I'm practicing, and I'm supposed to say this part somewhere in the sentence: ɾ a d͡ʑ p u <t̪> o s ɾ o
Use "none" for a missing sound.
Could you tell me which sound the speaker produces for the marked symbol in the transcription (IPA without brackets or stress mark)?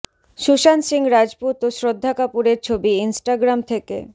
t̪